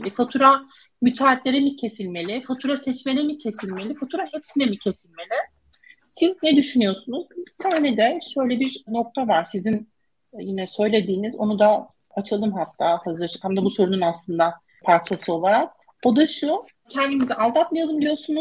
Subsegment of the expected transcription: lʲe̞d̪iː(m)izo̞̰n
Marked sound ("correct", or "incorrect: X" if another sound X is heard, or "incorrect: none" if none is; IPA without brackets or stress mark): incorrect: n